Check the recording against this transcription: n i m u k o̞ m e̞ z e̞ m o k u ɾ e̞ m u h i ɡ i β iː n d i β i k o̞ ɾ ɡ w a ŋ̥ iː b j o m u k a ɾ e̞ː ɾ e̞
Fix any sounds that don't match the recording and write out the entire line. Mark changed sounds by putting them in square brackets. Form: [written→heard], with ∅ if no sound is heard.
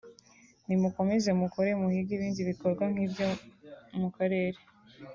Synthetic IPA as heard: n i m u k o̞ m e̞ z e̞ m [o→u] k [u→o] ɾ e̞ m u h i ɡ i β iː n d i β i k o̞ ɾ ɡ w a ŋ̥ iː b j o m u k a ɾ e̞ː ɾ e̞